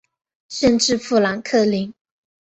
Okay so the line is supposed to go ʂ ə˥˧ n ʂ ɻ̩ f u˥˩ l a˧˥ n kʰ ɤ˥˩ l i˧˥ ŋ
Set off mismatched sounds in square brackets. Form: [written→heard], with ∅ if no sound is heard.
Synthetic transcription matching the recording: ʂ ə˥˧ n [ʂ→ʈ͡ʂ] ɻ̩ f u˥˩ l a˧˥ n kʰ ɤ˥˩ l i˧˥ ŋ